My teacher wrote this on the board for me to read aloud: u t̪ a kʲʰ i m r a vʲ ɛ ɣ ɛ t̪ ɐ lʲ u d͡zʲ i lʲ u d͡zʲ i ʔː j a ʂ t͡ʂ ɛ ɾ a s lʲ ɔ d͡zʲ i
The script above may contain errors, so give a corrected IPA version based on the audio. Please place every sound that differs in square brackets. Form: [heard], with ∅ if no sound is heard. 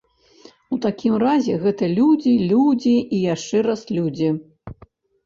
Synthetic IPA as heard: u t̪ a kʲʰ i m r a [zʲ] ɛ ɣ ɛ t̪ ɐ lʲ u d͡zʲ i lʲ u d͡zʲ i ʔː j a ʂ t͡ʂ ɛ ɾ a s lʲ [u] d͡zʲ i